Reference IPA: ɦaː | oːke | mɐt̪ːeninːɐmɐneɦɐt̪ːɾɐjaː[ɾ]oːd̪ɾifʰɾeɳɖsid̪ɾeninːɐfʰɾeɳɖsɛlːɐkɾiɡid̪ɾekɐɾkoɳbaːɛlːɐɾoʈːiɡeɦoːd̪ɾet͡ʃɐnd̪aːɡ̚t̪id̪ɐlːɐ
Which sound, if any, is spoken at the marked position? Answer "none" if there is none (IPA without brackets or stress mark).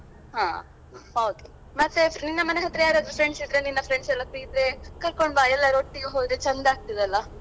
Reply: ɾ